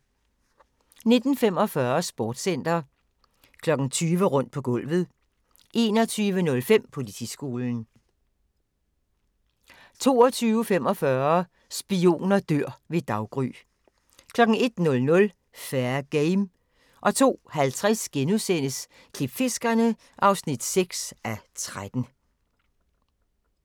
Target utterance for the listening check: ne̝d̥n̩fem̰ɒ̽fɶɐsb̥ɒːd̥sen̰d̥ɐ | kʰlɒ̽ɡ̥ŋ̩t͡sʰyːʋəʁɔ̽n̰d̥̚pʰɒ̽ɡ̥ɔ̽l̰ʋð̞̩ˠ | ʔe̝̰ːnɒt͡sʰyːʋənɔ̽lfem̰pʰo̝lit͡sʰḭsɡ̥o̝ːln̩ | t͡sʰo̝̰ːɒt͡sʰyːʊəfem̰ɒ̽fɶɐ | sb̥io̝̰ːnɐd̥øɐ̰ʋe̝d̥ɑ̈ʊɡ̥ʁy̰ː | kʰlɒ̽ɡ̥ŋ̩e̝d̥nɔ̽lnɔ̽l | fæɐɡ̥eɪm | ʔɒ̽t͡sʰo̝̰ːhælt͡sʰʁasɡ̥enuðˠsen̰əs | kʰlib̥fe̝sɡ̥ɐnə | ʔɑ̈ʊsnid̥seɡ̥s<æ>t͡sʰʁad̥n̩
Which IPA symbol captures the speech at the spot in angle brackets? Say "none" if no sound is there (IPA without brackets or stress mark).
æ